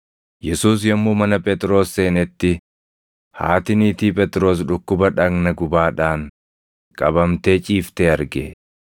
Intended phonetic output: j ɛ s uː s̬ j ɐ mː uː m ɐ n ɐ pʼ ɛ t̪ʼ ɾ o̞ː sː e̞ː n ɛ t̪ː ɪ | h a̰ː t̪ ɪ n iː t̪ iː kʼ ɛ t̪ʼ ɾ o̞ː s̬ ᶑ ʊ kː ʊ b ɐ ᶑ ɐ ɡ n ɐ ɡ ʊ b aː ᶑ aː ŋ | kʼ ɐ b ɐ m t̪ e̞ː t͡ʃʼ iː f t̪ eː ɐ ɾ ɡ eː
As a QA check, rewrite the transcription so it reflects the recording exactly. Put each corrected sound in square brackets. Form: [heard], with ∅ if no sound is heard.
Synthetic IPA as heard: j ɛ s uː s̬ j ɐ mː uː m ɐ n ɐ pʼ ɛ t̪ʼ ɾ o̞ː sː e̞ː n ɛ t̪ː ɪ | h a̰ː t̪ ɪ n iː t̪ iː [pʼ] ɛ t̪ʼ ɾ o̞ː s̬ ᶑ ʊ kː ʊ b ɐ ᶑ ɐ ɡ n ɐ ɡ ʊ b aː ᶑ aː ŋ | kʼ ɐ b ɐ m t̪ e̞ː t͡ʃʼ iː f t̪ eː ɐ ɾ ɡ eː